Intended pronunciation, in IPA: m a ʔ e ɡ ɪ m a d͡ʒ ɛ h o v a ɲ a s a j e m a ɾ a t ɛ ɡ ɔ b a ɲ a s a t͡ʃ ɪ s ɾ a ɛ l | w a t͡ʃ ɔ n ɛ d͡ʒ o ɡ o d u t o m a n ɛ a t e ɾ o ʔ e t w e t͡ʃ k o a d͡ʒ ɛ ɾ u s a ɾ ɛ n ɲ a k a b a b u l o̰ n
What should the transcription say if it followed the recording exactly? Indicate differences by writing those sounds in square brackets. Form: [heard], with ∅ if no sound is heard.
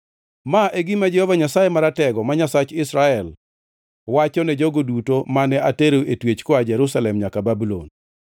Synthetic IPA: m a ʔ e ɡ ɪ m a d͡ʒ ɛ h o v a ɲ a s a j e m a ɾ a t ɛ ɡ ɔ [m] a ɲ a s a t͡ʃ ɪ s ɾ a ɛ l | w a t͡ʃ ɔ n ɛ d͡ʒ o ɡ o d u t o m a n ɛ a t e ɾ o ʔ e t w e t͡ʃ k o a d͡ʒ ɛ ɾ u s a [l] ɛ [m] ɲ a k a b a b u l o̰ n